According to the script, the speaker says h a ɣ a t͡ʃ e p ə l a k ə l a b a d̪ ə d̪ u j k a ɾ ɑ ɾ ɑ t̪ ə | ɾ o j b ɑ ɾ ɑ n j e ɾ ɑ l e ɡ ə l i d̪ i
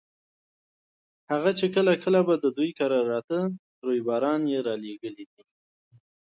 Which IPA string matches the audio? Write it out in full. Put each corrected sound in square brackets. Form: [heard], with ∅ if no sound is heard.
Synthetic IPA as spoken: h a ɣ a t͡ʃ e [k] ə l a k ə l a b a d̪ ə d̪ u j k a ɾ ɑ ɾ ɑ t̪ ə | ɾ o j b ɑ ɾ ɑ n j e ɾ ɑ l e ɡ ə l i d̪ i